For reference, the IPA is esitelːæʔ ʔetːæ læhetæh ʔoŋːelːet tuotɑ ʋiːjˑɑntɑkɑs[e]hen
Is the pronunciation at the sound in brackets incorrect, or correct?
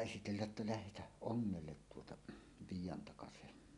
correct